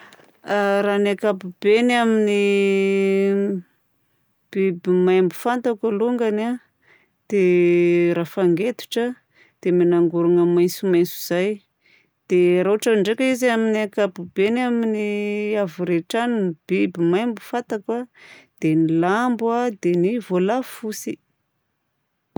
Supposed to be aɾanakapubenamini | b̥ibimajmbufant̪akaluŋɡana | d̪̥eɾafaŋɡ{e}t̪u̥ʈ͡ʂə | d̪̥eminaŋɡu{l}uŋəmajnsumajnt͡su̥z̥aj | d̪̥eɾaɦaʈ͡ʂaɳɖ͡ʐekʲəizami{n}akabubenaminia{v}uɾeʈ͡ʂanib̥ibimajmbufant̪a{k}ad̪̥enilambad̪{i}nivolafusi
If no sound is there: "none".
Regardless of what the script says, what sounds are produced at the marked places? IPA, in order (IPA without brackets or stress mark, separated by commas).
e, ɾ, n, v, k, e